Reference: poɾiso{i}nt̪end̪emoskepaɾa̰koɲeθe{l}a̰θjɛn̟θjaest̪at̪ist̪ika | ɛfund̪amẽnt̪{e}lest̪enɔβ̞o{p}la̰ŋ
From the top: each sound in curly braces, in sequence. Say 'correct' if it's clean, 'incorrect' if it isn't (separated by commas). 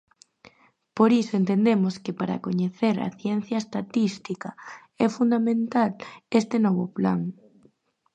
incorrect, incorrect, incorrect, correct